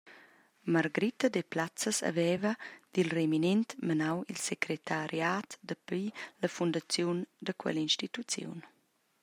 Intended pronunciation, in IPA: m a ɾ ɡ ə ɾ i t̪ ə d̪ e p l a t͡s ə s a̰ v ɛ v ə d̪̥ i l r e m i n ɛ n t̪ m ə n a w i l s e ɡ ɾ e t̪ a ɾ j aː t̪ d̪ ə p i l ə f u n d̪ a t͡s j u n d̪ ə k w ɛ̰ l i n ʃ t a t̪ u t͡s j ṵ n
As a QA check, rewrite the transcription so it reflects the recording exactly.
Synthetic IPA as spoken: m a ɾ ɡ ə ɾ i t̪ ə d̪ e p l a t͡s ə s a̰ v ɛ v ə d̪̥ i l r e m i n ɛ n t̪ m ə n a w i l s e k ɾ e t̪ a ɾ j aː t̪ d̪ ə p i l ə f u n d̪ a t͡s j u n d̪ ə k w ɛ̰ l i n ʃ t i t̪ u t͡s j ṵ n